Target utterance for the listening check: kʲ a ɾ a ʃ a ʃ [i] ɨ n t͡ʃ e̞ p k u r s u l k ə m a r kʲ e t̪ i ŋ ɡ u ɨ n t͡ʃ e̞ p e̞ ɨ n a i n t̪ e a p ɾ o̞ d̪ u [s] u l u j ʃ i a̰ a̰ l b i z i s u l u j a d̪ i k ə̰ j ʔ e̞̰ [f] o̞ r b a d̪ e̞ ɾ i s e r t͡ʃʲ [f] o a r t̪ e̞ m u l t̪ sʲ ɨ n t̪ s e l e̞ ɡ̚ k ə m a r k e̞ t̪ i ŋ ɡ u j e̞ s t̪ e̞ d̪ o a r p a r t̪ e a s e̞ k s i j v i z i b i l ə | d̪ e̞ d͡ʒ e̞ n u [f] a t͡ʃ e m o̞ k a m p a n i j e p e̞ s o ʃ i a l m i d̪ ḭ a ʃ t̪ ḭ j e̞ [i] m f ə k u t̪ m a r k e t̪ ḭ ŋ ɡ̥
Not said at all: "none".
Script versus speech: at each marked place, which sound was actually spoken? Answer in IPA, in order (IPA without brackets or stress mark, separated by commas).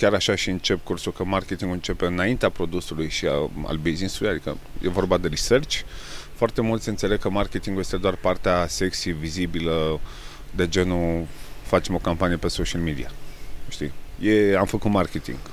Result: i, s, v, f, f, a